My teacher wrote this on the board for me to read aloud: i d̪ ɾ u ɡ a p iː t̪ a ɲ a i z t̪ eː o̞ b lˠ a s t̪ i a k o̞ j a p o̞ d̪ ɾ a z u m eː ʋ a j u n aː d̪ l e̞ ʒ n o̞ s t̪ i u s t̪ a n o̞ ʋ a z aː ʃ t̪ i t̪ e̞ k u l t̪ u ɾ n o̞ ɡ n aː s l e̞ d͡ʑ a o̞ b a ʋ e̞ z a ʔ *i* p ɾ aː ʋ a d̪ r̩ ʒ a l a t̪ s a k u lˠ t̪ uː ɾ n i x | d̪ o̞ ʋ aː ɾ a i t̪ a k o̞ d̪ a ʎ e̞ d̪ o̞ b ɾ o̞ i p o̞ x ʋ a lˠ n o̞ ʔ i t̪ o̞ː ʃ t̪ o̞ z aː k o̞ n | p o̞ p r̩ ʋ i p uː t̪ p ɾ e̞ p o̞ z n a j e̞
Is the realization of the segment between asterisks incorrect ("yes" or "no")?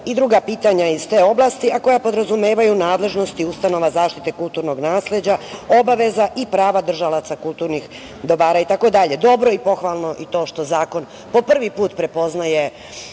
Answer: no